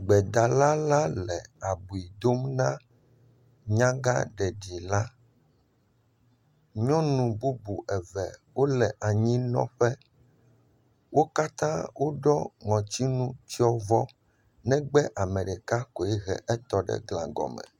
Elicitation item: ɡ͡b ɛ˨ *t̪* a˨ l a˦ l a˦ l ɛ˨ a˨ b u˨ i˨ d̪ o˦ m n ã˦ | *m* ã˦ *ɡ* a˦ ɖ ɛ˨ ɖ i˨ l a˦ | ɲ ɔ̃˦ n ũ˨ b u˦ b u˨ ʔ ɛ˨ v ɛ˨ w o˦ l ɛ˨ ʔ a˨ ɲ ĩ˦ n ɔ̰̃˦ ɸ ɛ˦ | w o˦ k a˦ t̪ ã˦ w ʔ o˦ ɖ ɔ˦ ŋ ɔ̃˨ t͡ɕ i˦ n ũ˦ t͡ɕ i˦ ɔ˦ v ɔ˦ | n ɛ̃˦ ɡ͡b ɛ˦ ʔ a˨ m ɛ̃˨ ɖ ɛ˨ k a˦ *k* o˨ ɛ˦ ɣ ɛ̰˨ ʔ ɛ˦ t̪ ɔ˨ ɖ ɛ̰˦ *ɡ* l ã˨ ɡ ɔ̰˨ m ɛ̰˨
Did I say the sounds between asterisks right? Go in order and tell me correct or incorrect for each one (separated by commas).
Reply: incorrect, incorrect, correct, correct, correct